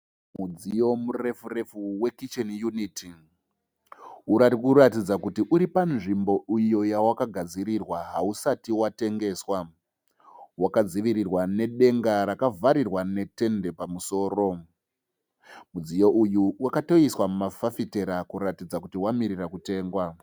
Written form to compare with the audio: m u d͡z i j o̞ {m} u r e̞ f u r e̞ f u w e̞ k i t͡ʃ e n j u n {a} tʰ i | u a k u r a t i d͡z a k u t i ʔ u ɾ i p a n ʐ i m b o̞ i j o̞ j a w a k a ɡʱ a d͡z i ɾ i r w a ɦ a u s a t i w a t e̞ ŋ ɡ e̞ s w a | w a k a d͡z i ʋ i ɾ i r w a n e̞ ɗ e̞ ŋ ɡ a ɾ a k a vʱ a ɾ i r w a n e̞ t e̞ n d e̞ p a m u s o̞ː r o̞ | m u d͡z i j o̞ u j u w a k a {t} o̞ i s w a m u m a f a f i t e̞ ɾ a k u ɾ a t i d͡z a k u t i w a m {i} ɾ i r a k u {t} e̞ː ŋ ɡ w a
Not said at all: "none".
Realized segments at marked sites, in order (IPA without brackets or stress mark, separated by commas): m, i, t, i, t